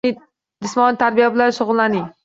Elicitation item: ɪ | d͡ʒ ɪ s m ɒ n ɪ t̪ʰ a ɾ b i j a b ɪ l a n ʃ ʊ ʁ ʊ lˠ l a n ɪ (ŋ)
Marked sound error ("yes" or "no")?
no